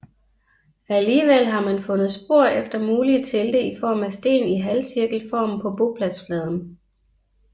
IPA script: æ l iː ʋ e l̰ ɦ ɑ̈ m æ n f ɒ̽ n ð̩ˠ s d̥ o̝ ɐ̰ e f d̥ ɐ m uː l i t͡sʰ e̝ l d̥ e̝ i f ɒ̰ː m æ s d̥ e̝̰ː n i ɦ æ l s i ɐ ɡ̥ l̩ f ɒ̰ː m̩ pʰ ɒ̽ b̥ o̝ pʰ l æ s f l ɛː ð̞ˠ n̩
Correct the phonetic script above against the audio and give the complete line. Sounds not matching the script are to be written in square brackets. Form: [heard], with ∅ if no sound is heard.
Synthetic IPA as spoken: æ l iː ʋ e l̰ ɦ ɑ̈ m æ n f [ɔ̽] n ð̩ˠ s [b̥] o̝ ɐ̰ e f d̥ ɐ m uː l i t͡sʰ e̝ l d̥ e̝ i f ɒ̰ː m æ s d̥ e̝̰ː n i ɦ æ l s i ɐ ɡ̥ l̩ f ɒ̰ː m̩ pʰ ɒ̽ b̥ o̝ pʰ l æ s f l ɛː ð̞ˠ n̩